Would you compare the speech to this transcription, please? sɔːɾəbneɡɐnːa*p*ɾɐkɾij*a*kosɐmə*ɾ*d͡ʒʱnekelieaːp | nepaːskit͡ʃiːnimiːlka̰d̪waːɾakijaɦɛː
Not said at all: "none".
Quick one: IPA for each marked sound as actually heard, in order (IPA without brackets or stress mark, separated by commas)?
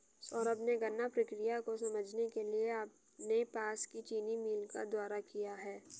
p, a, none